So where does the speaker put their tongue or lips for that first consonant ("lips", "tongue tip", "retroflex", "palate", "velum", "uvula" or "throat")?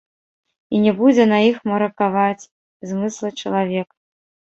tongue tip